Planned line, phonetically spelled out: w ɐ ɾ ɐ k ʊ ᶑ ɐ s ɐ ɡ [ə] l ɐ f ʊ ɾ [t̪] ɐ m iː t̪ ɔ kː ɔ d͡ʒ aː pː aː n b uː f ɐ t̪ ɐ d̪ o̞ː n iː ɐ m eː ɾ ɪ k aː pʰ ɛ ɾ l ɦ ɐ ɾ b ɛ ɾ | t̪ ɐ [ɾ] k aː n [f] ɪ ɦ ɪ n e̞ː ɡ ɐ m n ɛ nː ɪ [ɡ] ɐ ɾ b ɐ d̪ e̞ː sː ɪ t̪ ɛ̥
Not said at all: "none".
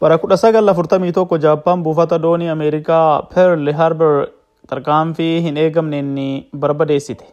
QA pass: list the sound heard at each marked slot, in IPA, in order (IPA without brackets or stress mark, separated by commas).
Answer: ɐ, t̪, ɾ, f, b